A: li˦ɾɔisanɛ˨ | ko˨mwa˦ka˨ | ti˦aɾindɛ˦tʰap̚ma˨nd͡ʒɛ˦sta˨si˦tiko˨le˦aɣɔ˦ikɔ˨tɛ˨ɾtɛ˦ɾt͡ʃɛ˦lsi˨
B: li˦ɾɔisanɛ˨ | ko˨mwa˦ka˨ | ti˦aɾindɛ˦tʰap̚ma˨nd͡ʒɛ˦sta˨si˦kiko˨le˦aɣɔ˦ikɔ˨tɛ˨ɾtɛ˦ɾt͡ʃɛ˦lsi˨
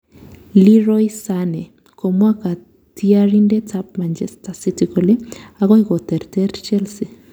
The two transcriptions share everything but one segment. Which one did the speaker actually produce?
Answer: A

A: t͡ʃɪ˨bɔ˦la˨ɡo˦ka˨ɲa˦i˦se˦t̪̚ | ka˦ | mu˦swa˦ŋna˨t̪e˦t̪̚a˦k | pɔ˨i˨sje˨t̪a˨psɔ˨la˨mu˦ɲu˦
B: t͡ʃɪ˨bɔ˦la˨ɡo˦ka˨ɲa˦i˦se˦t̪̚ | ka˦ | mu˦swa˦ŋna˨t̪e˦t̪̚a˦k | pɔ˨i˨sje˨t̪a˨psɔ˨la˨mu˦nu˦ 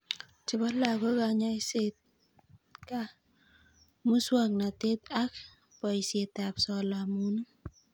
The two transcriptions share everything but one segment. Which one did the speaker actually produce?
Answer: B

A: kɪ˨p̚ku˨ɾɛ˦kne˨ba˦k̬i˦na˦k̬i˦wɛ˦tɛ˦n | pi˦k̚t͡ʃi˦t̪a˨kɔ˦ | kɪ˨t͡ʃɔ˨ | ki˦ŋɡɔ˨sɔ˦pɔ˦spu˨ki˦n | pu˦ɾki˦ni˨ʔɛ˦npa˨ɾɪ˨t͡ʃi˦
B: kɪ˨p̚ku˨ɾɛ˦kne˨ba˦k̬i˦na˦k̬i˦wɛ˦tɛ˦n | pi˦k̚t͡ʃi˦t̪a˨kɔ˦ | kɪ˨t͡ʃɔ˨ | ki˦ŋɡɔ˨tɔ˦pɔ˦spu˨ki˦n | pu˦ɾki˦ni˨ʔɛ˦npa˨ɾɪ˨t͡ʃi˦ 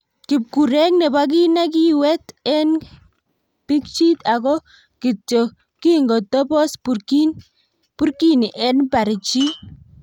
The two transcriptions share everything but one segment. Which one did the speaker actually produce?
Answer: B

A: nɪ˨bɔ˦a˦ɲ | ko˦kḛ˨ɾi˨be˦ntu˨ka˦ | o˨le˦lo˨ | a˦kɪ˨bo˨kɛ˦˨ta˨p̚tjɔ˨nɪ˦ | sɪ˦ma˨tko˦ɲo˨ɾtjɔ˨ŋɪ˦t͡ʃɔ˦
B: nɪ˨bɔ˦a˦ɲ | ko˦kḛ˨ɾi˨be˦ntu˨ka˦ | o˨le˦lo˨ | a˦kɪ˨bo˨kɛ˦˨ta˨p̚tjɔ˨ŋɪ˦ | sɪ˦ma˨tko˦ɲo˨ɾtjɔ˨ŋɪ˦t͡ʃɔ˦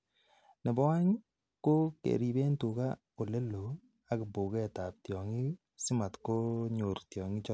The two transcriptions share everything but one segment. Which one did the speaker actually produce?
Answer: B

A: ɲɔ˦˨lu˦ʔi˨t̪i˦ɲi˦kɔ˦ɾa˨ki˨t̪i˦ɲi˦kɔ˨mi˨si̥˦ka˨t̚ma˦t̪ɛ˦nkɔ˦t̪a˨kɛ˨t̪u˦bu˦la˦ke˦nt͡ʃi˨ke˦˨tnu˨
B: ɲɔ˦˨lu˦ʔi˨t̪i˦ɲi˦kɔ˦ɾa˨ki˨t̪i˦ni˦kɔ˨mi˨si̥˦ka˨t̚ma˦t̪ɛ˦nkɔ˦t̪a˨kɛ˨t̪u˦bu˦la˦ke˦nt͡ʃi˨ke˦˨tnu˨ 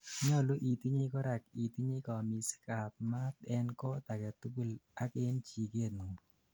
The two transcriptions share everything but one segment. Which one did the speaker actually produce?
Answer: A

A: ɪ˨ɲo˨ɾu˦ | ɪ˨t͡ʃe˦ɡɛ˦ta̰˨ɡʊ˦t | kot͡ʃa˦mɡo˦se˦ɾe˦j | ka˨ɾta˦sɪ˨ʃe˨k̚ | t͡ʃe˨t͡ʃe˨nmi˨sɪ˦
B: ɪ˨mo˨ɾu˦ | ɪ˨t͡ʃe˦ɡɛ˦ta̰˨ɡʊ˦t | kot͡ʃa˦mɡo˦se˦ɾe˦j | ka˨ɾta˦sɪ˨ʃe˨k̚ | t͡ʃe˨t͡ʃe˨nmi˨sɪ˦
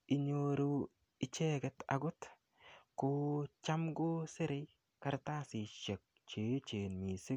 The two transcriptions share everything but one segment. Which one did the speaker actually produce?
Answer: A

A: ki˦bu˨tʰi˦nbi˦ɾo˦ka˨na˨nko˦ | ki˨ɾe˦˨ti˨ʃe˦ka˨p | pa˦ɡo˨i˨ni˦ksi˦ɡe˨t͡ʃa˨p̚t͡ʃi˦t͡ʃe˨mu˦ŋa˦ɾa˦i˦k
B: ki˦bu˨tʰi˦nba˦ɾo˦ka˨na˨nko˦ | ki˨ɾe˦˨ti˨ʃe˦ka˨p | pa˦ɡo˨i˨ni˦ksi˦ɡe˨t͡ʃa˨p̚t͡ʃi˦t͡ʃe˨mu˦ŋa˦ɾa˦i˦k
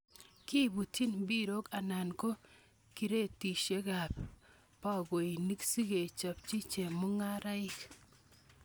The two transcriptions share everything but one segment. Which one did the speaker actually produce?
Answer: A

